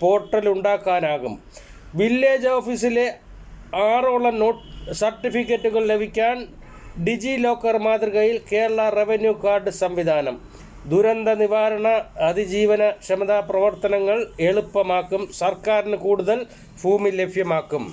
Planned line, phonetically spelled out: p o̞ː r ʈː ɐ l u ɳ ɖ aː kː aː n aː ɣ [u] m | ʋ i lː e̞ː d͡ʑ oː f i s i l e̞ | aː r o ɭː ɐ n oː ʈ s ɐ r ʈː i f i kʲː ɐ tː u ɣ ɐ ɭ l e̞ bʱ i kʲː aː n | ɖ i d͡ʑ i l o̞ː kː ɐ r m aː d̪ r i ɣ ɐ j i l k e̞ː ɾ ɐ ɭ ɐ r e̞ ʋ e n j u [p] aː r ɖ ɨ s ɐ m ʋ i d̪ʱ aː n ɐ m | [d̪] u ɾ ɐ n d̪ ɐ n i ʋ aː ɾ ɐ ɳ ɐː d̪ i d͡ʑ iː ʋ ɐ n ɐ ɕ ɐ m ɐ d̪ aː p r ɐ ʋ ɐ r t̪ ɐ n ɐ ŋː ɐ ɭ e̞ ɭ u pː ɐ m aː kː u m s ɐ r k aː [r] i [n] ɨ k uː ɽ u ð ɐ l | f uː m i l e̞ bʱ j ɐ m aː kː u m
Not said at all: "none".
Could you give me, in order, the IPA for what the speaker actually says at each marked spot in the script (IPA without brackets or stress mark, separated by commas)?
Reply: u, k, d̪, ɾ, n